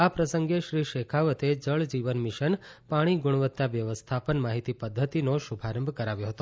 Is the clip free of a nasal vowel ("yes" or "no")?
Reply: yes